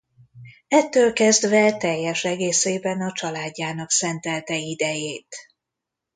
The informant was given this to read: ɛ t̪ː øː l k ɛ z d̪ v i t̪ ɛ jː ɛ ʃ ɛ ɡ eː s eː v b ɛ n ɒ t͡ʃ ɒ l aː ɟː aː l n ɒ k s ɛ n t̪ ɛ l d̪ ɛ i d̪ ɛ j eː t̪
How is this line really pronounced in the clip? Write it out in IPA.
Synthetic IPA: ɛ t̪ː øː l k ɛ z d̪ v ɛ t̪ ɛ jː ɛ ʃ ɛ ɡ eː s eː b ɛ n ɒ t͡ʃ ɒ l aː ɟː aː n ɒ k s ɛ n t̪ ɛ l t̪ ɛ i d̪ ɛ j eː t̪